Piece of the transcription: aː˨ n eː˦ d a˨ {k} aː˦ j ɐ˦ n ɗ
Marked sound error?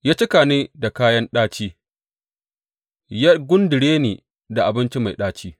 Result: no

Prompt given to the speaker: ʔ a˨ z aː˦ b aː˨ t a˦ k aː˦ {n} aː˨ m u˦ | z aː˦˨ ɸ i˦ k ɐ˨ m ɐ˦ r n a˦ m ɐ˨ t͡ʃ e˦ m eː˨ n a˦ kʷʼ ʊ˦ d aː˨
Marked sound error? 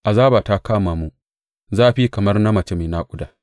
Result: yes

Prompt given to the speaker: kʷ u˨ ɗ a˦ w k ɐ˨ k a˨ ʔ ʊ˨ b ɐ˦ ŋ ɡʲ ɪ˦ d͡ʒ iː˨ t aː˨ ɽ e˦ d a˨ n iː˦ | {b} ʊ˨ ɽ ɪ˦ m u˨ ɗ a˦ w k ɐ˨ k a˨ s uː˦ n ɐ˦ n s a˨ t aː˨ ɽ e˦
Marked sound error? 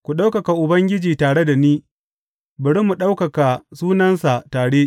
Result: no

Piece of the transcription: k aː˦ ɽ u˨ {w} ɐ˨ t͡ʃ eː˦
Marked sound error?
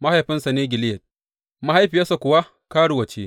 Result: no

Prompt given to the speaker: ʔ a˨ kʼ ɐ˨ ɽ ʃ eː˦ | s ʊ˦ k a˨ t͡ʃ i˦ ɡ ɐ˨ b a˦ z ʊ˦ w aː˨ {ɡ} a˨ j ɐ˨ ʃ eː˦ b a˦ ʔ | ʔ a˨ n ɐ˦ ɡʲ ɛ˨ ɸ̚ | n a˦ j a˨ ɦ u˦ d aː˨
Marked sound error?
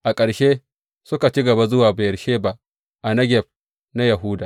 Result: yes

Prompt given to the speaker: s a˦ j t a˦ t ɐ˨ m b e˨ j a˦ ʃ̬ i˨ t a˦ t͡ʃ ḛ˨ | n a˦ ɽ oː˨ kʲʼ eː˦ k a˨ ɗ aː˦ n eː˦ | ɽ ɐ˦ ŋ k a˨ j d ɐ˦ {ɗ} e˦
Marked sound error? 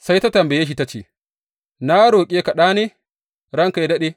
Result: no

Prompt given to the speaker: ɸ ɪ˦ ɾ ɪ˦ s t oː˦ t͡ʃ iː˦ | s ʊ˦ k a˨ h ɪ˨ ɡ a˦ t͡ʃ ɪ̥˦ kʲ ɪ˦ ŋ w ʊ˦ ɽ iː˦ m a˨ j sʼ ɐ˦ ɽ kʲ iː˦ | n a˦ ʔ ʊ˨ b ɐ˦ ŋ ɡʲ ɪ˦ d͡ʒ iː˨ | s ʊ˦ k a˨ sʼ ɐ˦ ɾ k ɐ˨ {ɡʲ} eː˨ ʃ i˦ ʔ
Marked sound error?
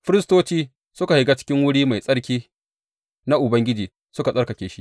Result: yes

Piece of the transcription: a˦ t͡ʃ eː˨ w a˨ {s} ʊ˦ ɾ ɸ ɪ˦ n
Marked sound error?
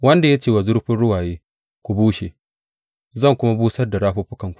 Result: yes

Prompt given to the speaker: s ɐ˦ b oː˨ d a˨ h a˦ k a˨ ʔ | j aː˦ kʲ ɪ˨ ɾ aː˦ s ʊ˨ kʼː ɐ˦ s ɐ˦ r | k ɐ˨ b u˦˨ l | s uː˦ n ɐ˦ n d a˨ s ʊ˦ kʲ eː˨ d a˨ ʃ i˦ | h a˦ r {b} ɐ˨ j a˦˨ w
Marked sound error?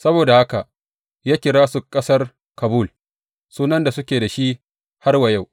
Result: yes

